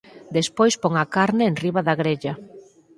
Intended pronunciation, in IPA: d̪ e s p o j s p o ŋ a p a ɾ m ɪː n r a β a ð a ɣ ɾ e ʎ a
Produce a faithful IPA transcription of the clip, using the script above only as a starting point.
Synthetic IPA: d̪ e s p o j s p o ŋ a k a ɾ n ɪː n r i β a ð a ɣ ɾ e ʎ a